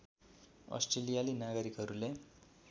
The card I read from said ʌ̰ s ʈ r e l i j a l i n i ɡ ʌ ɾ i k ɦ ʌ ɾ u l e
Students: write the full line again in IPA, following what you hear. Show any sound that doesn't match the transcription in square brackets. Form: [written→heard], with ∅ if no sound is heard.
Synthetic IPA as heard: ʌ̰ s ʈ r e l i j a l i n [i→a] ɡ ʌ ɾ i k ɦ ʌ ɾ u l e